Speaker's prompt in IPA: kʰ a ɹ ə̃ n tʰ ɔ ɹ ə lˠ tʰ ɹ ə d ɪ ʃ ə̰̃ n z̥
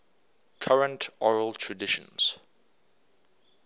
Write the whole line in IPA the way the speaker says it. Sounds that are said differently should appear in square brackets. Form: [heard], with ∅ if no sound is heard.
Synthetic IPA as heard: kʰ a ɹ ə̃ n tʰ ɔ ɹ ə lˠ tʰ ɹ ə d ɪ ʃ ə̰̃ n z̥